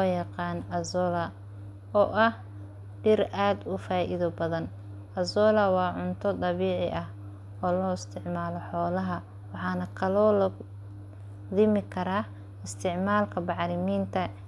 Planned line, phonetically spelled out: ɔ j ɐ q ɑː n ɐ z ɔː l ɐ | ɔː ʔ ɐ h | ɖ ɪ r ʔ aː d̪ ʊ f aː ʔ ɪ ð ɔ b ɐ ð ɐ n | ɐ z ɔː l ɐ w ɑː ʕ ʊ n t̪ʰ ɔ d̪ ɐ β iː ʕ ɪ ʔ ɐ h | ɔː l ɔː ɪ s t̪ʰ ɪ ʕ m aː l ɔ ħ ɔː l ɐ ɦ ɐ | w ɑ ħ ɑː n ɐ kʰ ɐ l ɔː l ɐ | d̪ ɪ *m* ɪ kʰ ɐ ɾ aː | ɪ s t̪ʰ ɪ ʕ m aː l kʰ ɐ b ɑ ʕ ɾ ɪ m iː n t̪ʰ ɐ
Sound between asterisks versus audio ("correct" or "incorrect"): correct